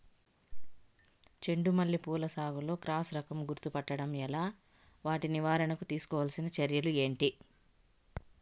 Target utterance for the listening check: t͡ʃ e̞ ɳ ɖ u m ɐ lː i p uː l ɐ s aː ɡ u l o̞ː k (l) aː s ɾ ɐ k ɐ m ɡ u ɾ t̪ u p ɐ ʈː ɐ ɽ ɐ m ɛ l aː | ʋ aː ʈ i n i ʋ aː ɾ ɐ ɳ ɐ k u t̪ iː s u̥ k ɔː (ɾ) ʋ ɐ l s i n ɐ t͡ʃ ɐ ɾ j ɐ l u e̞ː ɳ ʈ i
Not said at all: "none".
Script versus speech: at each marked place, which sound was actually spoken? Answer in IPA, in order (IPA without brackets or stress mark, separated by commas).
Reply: ɾ, none